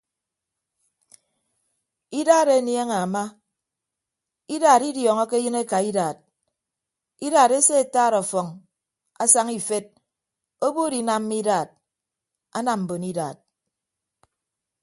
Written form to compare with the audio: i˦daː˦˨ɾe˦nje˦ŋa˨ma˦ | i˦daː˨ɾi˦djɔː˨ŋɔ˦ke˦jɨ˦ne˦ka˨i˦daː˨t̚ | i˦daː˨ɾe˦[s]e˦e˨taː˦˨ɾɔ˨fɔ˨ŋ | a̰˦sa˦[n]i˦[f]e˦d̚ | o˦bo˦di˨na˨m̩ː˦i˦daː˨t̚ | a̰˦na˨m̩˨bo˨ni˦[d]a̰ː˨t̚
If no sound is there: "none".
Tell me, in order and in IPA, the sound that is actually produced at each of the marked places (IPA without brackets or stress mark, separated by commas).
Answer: s, ŋ, f, d